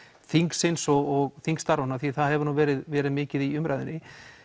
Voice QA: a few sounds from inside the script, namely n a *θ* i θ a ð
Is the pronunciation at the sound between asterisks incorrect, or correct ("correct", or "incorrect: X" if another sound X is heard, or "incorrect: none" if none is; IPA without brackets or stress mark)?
correct